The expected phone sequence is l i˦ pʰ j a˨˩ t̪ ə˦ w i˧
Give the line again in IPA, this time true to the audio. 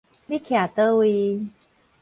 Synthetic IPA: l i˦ kʰ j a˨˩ t̪ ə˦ w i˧